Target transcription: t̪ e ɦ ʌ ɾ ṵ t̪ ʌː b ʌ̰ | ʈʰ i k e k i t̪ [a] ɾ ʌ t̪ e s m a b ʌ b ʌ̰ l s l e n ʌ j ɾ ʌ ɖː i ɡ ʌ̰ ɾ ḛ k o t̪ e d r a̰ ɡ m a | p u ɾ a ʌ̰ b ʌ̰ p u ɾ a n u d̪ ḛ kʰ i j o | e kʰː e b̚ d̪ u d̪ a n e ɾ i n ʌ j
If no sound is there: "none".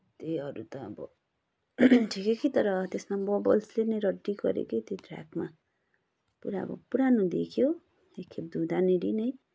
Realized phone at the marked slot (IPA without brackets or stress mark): ʌ